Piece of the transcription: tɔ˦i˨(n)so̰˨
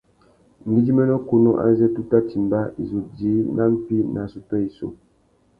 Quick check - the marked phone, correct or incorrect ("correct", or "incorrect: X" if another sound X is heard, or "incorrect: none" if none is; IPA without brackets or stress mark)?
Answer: incorrect: none